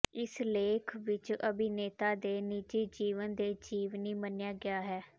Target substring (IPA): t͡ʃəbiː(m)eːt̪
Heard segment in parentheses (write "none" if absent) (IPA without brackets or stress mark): n